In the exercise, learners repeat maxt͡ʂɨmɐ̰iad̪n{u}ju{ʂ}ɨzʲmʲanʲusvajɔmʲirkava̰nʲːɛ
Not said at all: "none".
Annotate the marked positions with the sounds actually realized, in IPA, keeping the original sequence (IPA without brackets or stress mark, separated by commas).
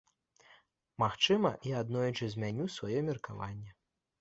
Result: ɔ, t͡ʂ